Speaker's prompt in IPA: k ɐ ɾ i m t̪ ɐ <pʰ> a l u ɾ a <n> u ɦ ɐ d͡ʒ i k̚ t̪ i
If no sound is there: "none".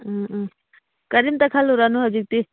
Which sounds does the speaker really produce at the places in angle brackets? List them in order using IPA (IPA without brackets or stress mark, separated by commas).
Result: kʰ, n